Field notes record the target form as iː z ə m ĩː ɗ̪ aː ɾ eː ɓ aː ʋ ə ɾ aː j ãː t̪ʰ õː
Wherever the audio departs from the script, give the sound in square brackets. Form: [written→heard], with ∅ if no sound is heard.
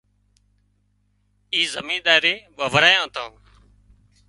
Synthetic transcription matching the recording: iː z ə m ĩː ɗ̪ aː ɾ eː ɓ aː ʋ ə ɾ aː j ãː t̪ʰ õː

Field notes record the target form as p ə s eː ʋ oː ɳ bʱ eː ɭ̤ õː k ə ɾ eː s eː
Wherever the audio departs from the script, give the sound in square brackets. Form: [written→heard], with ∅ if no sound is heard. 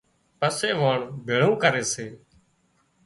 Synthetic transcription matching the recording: p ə s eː ʋ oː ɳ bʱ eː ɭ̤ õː k ə ɾ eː s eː

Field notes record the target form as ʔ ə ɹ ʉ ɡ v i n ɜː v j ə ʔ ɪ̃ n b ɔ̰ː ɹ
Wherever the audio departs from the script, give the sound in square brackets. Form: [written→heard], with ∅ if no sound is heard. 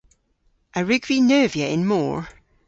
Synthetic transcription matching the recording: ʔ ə ɹ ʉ ɡ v i n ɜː v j ə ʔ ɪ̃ n [b→m] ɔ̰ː ɹ

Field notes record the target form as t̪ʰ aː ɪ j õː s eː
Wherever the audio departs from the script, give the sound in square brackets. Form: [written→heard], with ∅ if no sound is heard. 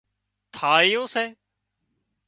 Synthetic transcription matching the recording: t̪ʰ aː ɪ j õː s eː

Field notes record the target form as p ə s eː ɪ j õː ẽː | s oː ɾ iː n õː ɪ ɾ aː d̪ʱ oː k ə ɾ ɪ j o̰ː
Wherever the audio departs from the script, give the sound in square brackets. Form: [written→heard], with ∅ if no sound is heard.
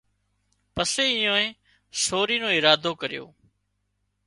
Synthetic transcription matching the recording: p ə s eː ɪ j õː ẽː | s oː ɾ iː n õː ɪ ɾ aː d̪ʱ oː k ə ɾ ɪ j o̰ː

